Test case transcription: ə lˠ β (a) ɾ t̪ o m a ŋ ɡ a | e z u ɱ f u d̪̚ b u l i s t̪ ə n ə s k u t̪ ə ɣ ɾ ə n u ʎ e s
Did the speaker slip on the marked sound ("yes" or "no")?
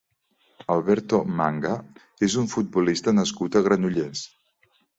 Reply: yes